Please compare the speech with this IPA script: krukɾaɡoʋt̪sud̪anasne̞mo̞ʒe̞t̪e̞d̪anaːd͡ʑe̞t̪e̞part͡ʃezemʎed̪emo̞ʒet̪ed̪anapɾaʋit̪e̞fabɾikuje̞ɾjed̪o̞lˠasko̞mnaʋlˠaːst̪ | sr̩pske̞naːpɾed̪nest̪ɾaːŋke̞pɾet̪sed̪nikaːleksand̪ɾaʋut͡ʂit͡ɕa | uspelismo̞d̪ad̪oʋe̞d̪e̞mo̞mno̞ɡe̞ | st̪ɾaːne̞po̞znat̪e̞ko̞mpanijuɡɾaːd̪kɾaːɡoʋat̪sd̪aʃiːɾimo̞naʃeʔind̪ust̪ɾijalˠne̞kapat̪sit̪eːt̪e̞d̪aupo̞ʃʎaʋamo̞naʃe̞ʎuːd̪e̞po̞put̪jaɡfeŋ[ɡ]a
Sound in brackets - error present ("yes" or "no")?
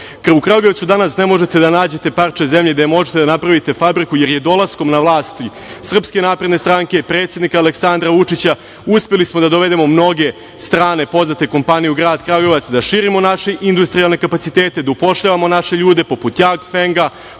no